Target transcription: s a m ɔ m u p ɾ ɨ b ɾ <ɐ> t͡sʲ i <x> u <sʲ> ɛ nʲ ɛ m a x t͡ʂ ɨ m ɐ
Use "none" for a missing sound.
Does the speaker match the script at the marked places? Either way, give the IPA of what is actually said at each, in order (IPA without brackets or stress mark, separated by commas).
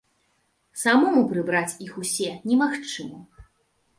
a, x, sʲ